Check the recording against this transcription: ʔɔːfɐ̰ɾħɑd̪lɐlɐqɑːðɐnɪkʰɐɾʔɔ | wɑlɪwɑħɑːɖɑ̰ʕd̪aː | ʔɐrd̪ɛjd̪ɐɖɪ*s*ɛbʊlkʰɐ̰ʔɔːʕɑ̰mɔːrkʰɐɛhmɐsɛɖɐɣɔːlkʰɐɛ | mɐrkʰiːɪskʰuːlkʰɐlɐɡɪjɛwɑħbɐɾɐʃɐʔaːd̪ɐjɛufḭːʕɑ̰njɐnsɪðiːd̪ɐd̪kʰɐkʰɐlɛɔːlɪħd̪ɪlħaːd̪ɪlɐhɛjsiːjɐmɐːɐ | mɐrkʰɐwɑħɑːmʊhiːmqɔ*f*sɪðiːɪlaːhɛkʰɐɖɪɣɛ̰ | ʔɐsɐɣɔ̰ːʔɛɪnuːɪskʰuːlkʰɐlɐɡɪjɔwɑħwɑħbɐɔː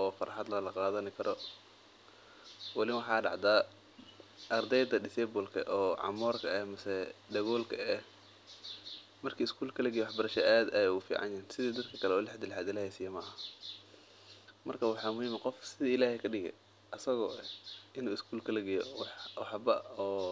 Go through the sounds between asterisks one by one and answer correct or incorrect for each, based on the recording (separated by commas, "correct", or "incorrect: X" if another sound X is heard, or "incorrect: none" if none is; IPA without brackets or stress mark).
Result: correct, correct